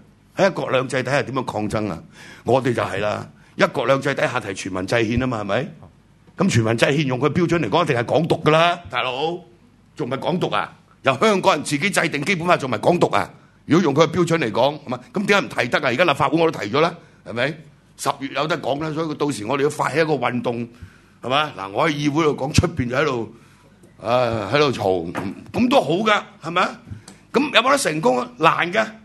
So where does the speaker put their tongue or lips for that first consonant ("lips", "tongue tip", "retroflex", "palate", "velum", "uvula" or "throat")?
throat